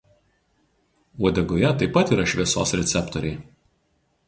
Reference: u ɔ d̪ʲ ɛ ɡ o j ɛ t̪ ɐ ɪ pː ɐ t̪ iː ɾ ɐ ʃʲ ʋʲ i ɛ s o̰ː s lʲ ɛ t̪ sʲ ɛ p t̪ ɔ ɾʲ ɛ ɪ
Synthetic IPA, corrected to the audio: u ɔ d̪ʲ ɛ ɡ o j ɛ t̪ ɐ ɪ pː ɐ t̪ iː ɾ ɐ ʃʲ ʋʲ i ɛ s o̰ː s ɾʲ ɛ t̪ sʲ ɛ p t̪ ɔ ɾʲ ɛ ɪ

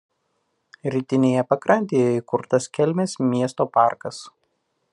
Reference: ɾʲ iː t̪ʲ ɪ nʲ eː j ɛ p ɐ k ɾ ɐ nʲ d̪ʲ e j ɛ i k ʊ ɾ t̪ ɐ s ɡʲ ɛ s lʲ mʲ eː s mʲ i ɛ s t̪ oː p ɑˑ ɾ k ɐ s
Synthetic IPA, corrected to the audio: ɾʲ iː t̪ʲ ɪ nʲ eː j ɛ p ɐ k ɾ ɐ nʲ t̪ʲ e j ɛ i k ʊ ɾ t̪ ɐ s kʲ ɛ lʲ mʲ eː s mʲ i ɛ s t̪ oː p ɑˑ ɾ k ɐ s

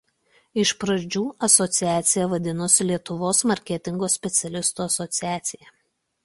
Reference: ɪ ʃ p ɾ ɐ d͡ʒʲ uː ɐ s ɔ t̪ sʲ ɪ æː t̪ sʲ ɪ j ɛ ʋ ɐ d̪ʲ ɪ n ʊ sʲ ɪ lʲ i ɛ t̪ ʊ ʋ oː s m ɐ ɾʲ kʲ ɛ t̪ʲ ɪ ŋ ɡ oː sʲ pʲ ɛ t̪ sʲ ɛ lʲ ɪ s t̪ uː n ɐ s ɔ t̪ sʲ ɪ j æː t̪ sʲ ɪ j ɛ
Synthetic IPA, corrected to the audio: ɪ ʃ p ɾ ɐ d͡ʒʲ uː ɐ s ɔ t̪ sʲ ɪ æː t̪ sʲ ɪ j ɛ ʋ ɐ d̪ʲ ɪ n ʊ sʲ ɪ lʲ i ɛ t̪ ʊ ʋ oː s m ɐ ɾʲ kʲ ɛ t̪ʲ ɪ ŋ ɡ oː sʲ pʲ ɛ t̪ sʲ ɛ lʲ ɪ s t̪ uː ɐ s ɔ t̪ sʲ ɪ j æː t̪ sʲ ɪ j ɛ

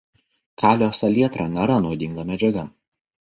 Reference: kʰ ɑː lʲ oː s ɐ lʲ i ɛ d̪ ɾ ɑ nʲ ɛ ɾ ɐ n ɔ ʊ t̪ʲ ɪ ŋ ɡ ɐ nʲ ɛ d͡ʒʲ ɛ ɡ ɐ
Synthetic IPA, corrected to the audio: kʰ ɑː lʲ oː s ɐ lʲ i ɛ t̪ ɾ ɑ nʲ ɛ ɾ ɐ n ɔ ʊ d̪ʲ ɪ ŋ ɡ ɐ mʲ ɛ d͡ʒʲ ɛ ɡ ɐ

